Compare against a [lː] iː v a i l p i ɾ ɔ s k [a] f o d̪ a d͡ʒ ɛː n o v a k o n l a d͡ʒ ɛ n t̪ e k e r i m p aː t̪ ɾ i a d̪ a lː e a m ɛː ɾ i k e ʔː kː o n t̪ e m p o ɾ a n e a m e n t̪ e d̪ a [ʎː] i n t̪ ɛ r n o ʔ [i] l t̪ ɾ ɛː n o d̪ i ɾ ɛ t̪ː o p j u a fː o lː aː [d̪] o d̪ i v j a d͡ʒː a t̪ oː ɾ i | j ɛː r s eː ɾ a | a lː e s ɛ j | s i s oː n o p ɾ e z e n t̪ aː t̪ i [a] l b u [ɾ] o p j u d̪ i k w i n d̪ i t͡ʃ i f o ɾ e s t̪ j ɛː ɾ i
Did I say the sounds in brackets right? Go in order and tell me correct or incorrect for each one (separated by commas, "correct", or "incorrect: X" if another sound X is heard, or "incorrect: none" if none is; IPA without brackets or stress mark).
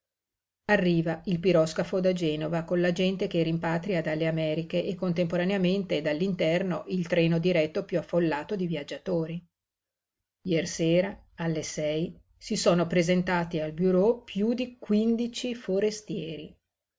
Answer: incorrect: rː, correct, incorrect: lː, correct, incorrect: t̪, correct, correct